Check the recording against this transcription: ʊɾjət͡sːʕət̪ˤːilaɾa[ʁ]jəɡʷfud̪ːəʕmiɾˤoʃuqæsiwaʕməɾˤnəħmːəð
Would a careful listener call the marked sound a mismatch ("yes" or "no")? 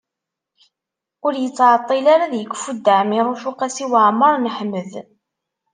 yes